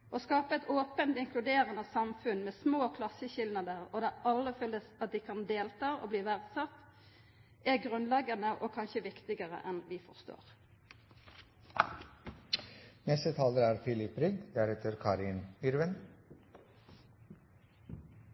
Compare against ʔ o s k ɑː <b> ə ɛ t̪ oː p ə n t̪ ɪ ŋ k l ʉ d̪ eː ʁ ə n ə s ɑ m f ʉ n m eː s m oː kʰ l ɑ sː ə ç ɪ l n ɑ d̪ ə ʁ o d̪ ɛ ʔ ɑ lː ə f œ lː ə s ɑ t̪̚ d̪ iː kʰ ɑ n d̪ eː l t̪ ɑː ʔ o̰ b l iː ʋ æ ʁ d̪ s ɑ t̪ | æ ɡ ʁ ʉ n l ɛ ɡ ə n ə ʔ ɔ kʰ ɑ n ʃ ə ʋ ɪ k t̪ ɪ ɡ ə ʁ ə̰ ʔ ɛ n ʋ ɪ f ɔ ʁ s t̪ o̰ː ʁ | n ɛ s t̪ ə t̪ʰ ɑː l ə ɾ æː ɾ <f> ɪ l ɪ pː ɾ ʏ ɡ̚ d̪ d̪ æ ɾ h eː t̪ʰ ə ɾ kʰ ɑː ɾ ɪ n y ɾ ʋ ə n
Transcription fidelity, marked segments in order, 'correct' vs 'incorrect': incorrect: p, correct

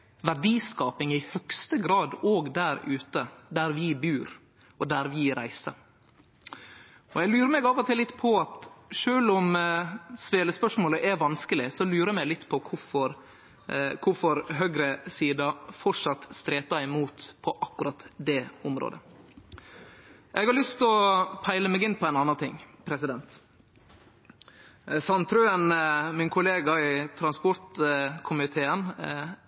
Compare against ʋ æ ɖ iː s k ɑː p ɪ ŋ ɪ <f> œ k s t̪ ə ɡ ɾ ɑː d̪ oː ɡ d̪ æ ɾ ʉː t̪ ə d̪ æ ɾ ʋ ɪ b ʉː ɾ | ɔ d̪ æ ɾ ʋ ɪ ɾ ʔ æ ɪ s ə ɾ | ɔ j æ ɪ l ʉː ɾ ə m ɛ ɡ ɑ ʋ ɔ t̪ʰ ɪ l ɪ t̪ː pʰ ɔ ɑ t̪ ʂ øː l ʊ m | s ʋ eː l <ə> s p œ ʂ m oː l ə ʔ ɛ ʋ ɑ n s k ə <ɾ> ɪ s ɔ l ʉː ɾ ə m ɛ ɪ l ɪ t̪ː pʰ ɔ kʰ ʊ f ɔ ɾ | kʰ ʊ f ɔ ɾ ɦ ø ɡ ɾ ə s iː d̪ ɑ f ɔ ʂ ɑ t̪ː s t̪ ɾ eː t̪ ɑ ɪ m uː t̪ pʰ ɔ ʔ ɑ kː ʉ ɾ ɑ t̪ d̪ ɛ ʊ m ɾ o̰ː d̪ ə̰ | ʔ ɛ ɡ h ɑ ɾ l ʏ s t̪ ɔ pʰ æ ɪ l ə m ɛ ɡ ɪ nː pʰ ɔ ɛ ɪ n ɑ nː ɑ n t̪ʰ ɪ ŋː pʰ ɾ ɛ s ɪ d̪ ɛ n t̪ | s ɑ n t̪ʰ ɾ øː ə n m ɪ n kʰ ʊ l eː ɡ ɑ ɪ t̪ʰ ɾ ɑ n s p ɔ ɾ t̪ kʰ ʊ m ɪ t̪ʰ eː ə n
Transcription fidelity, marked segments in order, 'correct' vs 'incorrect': incorrect: h, correct, incorrect: l

